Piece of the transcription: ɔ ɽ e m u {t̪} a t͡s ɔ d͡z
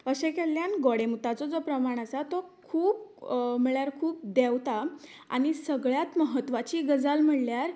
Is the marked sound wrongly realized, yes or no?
no